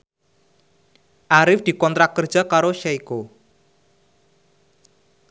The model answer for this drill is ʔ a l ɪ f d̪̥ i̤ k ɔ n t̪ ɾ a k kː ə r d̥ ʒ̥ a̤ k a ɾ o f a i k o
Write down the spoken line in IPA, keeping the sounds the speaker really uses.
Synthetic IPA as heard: ʔ a ɾ ɪ f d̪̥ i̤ k ɔ n t̪ ɾ a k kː ə r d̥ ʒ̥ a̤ k a ɾ o ʃ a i k o